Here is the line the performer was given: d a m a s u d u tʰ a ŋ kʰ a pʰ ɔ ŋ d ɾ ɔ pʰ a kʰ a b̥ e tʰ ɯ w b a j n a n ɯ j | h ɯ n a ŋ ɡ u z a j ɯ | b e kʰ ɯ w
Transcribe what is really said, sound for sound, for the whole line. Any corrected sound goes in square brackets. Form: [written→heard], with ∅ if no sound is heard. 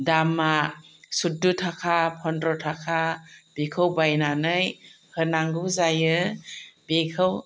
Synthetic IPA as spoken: d a m a s u d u tʰ a [ŋ→∅] kʰ a pʰ ɔ [ŋ→n] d ɾ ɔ [pʰ→tʰ] a kʰ a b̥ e [tʰ→kʰ] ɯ w b a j n a n ɯ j | h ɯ n a ŋ ɡ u z a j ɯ | b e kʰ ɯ w